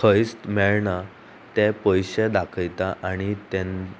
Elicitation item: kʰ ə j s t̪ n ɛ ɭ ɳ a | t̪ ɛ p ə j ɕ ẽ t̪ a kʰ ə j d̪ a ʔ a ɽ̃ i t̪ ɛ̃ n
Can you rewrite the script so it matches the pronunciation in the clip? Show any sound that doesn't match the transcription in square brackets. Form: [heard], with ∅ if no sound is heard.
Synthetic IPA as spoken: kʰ ə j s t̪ [m] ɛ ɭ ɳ a | t̪ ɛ p ə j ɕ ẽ [d̪] a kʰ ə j [t̪] a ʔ a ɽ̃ i t̪ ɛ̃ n